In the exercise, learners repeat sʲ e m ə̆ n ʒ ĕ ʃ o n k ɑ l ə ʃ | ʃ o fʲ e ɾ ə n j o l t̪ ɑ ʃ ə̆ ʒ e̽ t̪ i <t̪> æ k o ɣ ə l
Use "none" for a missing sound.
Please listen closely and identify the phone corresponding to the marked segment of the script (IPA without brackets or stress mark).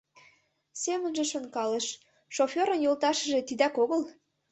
d̪